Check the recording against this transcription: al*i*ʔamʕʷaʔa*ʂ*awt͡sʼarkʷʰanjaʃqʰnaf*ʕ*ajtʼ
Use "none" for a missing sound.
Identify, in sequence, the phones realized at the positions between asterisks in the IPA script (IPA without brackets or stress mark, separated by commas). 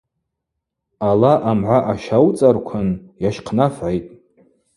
a, ʃ, ʕ